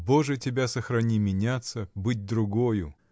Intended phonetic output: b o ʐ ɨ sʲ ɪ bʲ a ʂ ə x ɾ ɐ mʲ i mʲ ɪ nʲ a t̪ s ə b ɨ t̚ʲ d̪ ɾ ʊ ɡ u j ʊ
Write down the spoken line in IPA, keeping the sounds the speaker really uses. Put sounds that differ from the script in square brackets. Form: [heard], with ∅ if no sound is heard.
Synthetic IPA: b o ʐ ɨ [tʲ] ɪ bʲ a [s] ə x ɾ ɐ [nʲ] i mʲ ɪ nʲ a t̪ s ə b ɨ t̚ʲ d̪ ɾ ʊ ɡ [o] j ʊ